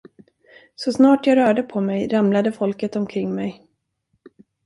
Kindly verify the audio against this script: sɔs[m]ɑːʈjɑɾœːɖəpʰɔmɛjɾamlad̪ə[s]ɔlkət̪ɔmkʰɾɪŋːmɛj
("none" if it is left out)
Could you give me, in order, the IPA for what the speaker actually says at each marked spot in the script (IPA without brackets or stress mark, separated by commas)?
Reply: n, f